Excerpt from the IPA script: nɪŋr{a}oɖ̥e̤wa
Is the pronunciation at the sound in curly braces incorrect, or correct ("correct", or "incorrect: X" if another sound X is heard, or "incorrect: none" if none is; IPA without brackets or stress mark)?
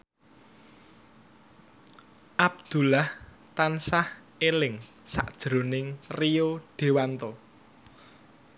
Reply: incorrect: i